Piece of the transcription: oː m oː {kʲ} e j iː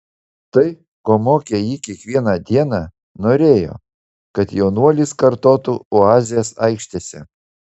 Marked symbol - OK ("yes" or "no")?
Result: yes